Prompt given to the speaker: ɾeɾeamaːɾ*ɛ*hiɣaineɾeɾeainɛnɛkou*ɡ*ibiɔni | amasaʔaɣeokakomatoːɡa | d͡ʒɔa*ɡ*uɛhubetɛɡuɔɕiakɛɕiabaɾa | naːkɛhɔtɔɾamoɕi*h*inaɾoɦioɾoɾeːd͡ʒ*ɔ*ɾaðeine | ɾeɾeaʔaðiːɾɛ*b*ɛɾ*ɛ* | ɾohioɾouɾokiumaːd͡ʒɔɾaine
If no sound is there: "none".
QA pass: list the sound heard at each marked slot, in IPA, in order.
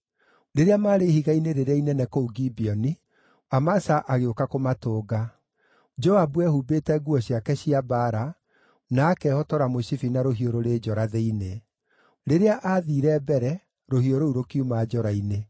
e, ɡ, b, f, ɔ, b, ɛ

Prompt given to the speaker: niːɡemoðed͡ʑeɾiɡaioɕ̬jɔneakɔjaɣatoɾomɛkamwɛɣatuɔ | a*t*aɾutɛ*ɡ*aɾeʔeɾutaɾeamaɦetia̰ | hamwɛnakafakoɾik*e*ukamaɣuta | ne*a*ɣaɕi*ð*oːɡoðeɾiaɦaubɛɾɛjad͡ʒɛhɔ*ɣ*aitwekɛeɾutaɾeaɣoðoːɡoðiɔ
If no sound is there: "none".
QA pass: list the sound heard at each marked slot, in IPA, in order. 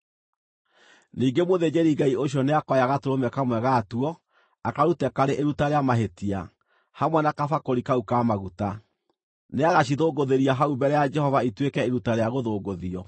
k, k, a, a, ð, v

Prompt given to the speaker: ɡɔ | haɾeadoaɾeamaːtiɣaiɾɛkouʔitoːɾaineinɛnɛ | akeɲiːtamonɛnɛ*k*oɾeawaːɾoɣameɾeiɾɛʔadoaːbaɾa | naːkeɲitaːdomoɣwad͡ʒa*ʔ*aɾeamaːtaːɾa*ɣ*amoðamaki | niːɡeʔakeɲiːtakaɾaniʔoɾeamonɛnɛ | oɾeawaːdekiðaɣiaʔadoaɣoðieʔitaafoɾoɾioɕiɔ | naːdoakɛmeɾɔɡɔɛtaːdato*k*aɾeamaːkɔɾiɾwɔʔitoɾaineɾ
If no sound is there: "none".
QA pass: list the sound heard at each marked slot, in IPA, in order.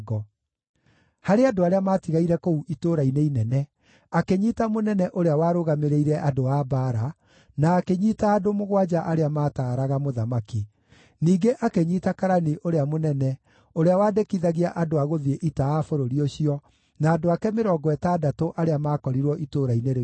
ʔ, ʔ, ɣ, ʔ

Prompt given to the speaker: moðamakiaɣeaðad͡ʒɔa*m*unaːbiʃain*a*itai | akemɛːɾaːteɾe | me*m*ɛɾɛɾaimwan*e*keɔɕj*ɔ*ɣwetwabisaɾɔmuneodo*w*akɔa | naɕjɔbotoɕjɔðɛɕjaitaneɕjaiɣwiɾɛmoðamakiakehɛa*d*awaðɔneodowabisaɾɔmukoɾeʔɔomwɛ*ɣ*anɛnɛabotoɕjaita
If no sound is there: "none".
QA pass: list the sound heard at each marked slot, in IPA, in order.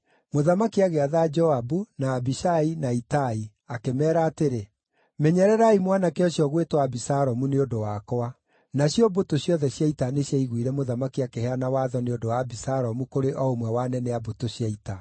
b, a, ɲ, a, ɔ, w, n, w

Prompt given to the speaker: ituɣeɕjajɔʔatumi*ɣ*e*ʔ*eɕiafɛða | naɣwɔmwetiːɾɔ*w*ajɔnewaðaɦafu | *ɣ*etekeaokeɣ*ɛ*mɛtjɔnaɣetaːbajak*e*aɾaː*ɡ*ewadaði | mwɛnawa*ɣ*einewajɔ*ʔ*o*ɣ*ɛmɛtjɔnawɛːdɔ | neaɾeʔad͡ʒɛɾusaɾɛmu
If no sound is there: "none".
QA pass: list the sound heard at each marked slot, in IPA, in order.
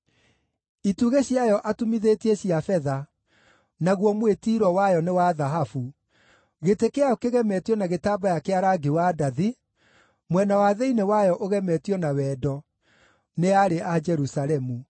ð, t, w, ɣ, ɛ, e, ɡ, ð, ʔ, ɣ

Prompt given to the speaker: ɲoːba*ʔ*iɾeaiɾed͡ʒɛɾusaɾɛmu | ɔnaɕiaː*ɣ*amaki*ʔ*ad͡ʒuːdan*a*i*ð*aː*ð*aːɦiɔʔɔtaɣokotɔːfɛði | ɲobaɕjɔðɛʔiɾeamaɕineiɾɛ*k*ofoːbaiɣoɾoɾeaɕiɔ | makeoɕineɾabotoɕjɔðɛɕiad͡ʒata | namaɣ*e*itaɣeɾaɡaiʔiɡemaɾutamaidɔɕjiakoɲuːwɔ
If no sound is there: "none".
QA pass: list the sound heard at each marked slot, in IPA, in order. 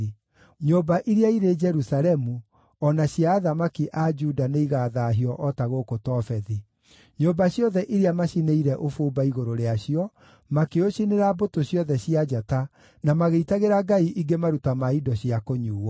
ʔ, ð, ʔ, e, ɣ, ð, ʔ, e

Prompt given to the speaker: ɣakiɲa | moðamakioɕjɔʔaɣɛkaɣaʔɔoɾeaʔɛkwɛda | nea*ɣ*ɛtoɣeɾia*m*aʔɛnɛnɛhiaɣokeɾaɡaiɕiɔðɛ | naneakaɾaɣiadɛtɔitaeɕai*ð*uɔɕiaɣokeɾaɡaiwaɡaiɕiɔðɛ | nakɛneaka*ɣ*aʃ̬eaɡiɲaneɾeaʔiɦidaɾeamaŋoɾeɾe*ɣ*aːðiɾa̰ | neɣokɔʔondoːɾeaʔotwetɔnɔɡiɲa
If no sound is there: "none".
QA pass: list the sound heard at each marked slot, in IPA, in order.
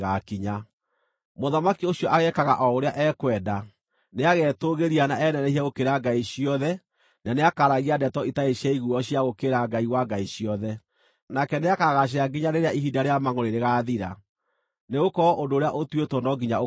ɣ, n, ɣ, ɣ, ɣ

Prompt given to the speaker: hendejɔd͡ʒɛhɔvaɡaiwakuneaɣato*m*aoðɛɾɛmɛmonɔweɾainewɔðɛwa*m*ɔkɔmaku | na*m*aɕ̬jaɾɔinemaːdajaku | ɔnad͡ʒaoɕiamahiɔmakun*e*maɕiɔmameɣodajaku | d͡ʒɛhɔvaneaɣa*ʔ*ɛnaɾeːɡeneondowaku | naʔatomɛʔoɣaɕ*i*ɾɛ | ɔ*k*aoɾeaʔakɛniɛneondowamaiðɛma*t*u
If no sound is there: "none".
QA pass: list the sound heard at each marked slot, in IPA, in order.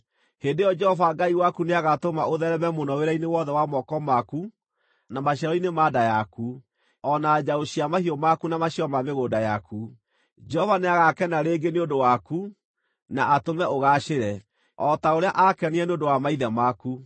m, m, m, a, k, e, t, k

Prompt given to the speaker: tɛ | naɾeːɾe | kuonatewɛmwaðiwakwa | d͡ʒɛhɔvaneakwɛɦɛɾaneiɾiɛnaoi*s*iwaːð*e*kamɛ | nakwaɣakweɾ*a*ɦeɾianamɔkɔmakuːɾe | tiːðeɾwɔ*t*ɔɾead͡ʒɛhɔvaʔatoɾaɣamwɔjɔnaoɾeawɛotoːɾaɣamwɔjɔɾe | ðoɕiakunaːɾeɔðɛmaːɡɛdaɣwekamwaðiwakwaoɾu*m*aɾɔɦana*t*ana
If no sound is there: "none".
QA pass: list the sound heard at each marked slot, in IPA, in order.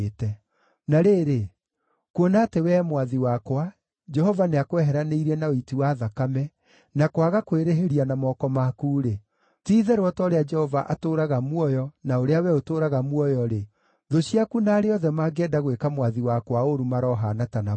t, a, e, t, m, t

